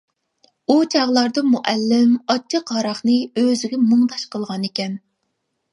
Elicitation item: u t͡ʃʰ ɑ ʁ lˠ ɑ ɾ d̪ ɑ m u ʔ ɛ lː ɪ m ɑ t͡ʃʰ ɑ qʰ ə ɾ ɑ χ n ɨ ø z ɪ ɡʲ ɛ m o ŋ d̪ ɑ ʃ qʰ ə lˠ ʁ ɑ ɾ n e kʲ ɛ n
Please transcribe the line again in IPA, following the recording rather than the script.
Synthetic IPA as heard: u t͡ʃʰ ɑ ʁ lˠ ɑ ɾ d̪ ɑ m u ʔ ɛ lː ɪ m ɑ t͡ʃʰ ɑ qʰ ɑ ɾ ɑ χ n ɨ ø z ɪ ɡʲ ɛ m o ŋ d̪ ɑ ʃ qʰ ə lˠ ʁ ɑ n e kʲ ɛ n